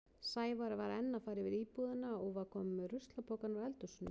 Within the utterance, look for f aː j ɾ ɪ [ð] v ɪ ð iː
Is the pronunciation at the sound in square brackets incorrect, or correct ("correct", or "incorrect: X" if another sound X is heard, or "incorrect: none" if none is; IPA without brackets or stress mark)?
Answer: incorrect: none